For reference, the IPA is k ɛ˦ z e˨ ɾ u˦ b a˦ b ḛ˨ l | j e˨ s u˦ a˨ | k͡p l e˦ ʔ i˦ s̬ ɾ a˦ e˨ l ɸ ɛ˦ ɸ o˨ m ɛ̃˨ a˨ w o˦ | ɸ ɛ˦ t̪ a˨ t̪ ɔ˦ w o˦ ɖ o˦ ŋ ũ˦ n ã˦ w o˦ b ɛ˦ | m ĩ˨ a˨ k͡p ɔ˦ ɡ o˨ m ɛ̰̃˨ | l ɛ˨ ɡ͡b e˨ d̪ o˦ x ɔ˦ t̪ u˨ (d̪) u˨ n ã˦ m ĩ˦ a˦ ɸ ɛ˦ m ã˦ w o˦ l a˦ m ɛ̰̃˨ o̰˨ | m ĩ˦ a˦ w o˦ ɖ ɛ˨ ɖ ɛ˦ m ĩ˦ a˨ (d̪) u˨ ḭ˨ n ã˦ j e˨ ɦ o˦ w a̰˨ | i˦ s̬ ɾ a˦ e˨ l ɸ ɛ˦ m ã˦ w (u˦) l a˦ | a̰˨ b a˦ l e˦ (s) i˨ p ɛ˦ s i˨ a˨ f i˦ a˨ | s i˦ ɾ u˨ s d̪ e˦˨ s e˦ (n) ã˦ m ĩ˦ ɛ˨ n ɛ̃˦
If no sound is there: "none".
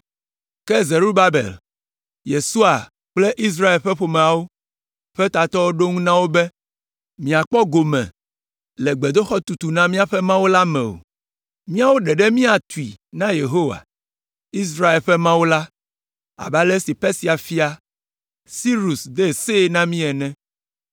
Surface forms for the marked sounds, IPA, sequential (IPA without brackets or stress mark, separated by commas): t̪, t̪, o˦, s, n